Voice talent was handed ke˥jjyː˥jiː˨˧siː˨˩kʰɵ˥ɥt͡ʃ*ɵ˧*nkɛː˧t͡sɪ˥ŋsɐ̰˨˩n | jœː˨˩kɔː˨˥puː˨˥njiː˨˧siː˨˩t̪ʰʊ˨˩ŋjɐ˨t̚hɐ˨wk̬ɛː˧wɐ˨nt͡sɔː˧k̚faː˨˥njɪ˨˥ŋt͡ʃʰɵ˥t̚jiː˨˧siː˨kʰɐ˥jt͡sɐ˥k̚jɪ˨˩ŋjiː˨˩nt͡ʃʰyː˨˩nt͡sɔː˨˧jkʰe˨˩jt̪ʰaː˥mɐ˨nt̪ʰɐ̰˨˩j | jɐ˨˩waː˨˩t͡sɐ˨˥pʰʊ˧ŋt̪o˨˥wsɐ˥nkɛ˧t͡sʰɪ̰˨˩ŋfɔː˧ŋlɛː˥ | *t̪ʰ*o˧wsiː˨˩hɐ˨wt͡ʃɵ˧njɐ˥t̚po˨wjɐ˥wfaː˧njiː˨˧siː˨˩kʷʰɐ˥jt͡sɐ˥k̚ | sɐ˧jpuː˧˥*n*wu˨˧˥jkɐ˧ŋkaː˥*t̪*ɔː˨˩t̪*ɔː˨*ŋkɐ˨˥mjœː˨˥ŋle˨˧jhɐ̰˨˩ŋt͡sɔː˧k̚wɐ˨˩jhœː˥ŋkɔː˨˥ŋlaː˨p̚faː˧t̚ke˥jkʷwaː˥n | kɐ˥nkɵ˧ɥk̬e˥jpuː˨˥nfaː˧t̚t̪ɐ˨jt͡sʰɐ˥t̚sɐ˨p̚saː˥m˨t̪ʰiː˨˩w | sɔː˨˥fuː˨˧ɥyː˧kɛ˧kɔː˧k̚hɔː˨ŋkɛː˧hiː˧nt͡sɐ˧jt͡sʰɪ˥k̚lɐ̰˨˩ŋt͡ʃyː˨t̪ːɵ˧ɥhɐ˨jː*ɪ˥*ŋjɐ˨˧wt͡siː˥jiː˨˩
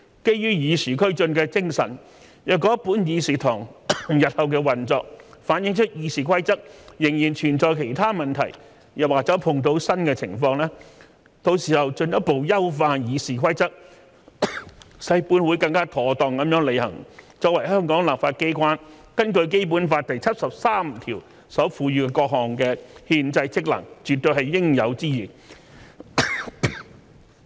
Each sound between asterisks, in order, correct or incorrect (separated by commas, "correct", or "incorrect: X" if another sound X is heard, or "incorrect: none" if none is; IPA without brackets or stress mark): correct, incorrect: t̪, correct, incorrect: t̪ʰ, correct, correct